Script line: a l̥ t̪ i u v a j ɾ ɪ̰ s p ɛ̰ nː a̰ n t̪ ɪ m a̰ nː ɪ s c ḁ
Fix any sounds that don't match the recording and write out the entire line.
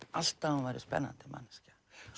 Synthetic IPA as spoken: a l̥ t̪ a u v a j ɾ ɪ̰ s p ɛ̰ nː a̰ n t̪ ɪ m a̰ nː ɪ s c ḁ